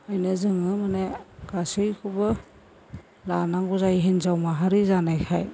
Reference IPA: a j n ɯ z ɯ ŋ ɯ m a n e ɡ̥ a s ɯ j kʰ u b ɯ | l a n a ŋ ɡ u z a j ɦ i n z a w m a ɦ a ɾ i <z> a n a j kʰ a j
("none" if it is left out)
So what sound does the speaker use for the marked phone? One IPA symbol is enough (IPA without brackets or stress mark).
z